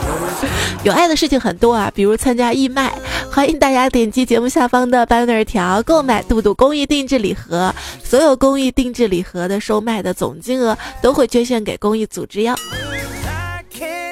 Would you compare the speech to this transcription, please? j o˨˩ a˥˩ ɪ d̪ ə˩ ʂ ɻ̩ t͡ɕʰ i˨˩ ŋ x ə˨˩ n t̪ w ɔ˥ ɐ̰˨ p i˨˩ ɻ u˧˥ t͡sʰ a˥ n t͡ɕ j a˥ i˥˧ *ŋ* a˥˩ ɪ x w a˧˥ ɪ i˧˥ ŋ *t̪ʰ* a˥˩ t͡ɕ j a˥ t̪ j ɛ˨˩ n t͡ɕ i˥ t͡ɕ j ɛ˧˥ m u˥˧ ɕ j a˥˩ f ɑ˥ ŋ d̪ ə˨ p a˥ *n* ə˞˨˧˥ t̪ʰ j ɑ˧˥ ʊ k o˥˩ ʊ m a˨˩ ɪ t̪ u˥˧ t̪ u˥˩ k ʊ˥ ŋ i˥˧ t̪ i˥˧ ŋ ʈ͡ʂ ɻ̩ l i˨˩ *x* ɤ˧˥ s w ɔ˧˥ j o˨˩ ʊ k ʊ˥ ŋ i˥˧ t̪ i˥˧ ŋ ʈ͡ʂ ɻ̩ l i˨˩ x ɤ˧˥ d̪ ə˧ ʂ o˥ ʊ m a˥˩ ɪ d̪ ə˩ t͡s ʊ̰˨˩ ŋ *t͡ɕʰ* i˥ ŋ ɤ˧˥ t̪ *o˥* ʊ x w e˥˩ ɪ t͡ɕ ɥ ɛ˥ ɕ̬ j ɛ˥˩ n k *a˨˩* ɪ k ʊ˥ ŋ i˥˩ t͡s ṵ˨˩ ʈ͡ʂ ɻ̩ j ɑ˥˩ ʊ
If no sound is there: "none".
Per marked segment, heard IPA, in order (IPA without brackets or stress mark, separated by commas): m, t̪, n, x, t͡ɕ, o˥, e˨˩